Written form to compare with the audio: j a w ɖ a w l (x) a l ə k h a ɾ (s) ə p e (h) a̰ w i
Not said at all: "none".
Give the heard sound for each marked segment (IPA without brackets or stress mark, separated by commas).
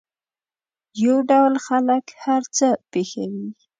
x, t͡s, x